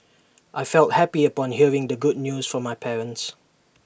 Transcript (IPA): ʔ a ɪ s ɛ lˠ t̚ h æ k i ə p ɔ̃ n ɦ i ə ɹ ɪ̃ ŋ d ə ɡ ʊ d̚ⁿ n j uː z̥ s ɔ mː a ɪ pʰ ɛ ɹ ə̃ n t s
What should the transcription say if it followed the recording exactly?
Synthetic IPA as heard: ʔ a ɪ f ɛ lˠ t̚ h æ p i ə p ɔ̃ n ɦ i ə ɹ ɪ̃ ŋ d ə ɡ ʊ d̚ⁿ n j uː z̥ f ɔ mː a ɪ pʰ ɛ ɹ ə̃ n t s